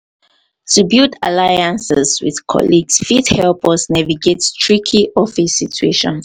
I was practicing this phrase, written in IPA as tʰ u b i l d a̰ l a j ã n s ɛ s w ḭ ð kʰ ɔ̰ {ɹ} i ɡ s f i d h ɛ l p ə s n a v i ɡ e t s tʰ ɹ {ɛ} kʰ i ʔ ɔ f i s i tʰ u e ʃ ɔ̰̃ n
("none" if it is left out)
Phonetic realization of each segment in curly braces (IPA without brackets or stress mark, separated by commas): l, i